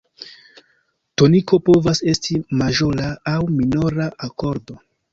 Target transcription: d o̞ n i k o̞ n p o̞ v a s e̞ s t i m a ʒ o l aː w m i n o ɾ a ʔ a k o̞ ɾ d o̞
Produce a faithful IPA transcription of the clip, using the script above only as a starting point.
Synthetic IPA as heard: t o̞ n i k o̞ p o̞ v a s e̞ s t i m a ʒ o l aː w m i n o ɾ a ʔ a k o̞ ɾ d o̞